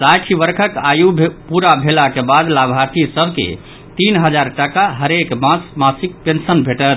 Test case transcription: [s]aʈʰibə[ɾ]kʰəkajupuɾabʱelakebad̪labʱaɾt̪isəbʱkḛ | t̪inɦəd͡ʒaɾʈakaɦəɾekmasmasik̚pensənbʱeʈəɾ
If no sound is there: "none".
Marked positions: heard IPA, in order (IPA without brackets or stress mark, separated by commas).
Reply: s, ɾ